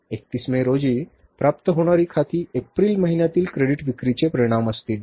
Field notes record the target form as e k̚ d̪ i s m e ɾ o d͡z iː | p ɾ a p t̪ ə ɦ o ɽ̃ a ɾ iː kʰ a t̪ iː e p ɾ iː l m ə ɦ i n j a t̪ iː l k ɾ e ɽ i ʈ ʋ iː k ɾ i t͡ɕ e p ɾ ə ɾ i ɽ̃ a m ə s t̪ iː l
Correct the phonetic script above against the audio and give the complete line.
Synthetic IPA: e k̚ t̪ i s m e ɾ o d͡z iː | p ɾ a p t̪ ə ɦ o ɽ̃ a ɾ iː kʰ a t̪ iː e p ɾ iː l m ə ɦ i n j a t̪ iː l k ɾ e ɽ i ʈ ʋ i k ɾ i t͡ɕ e p ɾ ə ɾ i ɽ̃ a m ə s t̪ iː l

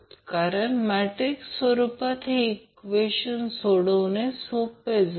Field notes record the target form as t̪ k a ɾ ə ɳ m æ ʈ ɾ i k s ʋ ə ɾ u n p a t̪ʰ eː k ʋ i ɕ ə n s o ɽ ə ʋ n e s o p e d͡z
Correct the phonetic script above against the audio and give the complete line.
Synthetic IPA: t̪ k a ɾ ə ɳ m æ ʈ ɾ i k s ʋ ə ɾ u p a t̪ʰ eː k ʋ e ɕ ə n s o ɽ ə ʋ n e s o p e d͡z

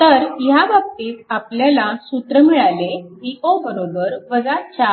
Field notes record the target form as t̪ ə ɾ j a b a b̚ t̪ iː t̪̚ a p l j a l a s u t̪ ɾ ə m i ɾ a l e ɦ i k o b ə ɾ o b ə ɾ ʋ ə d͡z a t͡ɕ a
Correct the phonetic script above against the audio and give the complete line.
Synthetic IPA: t̪ ə ɾ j a b a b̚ t̪ iː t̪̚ a p l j a l a s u t̪ ɾ ə m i ɭ a l e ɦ i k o b ə ɾ o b ə ɾ ʋ ə d͡z a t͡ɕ a

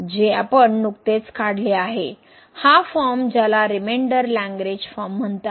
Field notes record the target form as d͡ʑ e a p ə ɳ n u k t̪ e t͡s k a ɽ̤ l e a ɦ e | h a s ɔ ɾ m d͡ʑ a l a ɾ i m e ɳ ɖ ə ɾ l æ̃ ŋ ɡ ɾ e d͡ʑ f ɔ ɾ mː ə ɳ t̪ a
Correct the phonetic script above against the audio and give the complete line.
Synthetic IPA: d͡ʑ e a p ə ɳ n u k t̪ e t͡s k a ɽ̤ l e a ɦ e | h a f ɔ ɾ m d͡ʑ a l a ɾ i m e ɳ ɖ ə ɾ l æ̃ ŋ ɡ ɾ e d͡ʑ f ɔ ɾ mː ə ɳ t̪ a

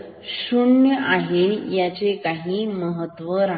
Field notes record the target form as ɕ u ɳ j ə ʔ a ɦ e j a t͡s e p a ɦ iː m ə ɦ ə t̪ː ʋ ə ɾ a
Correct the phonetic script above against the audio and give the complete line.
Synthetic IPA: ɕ u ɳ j ə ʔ a ɦ e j a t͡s e k a ɦ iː m ə ɦ ə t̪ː ʋ ə ɾ a

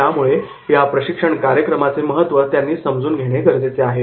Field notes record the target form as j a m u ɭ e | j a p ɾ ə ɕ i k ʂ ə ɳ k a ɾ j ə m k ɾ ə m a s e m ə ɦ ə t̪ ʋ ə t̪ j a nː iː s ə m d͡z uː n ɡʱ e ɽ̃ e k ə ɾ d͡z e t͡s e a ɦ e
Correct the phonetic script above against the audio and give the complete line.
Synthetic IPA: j a m u ɭ e | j a p ɾ ə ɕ i k ʂ ə ɳ k a ɾ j ə k ɾ ə m a t͡s e m ə ɦ ə t̪ ʋ ə t̪ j a nː iː s ə m d͡z uː n ɡʱ e ɽ̃ e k ə ɾ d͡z e t͡s e a ɦ e

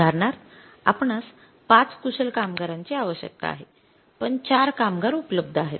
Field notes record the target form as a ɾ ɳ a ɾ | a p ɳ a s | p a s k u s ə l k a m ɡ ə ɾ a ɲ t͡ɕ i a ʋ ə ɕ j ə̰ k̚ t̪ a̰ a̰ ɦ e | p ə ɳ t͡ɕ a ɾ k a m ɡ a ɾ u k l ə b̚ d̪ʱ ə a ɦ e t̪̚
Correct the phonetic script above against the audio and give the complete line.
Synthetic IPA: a ɾ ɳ a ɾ | a p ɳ a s | p a t͡s k u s ə l k a m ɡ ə ɾ a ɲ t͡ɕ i a ʋ ə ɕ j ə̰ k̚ t̪ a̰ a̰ ɦ e | p ə ɳ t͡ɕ a ɾ k a m ɡ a ɾ u p l ə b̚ d̪ʱ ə a ɦ e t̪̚

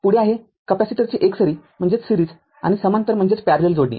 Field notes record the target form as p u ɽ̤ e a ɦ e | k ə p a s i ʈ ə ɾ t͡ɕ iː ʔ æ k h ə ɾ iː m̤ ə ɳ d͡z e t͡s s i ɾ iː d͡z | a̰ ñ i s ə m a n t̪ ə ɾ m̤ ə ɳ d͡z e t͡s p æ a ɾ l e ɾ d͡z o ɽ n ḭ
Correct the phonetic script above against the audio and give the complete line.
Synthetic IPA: p u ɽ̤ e a ɦ e | k ə p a s i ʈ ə ɾ t͡ɕ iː ʔ e k s ə ɾ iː m̤ ə ɳ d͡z e t͡s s i ɾ iː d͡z | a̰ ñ i s ə m a n t̪ ə ɾ m̤ ə ɳ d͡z e t͡s p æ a ɾ l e l d͡z o ɽ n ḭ

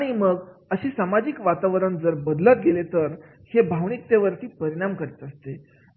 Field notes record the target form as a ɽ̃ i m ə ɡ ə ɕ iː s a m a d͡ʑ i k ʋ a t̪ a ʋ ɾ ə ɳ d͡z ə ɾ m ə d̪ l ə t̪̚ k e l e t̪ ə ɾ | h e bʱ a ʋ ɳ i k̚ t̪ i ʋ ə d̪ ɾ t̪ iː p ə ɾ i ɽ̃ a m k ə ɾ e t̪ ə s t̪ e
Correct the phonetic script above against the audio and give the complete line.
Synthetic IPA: a ɽ̃ i m ə ɡ ə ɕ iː s a m a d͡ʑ i k ʋ a t̪ a ʋ ɾ ə ɳ d͡z ə ɾ b ə d̪ l ə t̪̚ ɡ e l e t̪ ə ɾ | h e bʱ a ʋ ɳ i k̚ t̪ e ʋ ə ɾ t̪ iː p ə ɾ i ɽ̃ a m k ə ɾ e t̪ ə s t̪ e

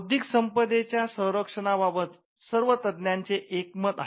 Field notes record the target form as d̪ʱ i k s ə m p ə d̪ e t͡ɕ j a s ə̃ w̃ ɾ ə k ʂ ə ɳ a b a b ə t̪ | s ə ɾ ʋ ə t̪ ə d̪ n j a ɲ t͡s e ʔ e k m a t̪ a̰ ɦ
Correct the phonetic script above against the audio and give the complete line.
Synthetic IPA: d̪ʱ i k s ə m p ə d̪ e t͡ɕ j a s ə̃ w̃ ɾ ə k ʂ ə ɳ a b a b ə t̪ | s ə ɾ ʋ ə t̪ ə d̪ n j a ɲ t͡s e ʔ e k m ə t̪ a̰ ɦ

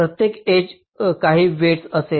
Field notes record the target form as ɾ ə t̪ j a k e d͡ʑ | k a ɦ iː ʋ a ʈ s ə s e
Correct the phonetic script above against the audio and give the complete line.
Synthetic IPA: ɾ ə t̪ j e k e d͡ʑ | k a ɦ iː ʋ e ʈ s ə s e

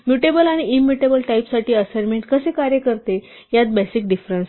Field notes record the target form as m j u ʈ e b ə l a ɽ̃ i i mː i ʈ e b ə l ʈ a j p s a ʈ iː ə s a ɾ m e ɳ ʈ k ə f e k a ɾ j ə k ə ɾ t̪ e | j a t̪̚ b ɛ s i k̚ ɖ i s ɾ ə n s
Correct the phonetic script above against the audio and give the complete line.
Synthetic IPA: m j u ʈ e b ə l a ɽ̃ i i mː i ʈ e b ə l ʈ a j p s a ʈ iː ə s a ɾ m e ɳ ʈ k ə s e k a ɾ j ə k ə ɾ t̪ e | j a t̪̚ b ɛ s i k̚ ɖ i f ɾ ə n s

